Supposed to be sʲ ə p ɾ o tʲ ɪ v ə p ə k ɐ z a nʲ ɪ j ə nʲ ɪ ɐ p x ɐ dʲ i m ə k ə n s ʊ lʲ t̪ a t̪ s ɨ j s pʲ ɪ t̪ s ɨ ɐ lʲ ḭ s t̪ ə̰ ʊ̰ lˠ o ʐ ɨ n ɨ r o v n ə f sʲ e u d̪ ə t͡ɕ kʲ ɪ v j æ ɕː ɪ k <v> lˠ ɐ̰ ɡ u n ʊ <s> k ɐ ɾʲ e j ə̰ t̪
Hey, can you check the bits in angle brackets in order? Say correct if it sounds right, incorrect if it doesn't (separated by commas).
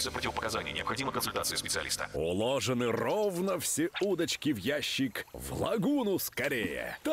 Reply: correct, correct